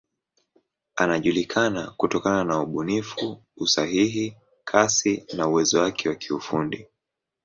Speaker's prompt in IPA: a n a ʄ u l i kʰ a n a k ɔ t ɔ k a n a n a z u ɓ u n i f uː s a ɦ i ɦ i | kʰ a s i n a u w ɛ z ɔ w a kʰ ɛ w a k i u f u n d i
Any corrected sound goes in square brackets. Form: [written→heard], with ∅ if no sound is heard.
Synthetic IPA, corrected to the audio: a n a ʄ u l i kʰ a n a k [ɔ→u] t ɔ k a n a n a [z→∅] u ɓ u n i f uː s a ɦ i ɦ i | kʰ a s i n a u w ɛ z ɔ w a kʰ ɛ w a k i u f u n d i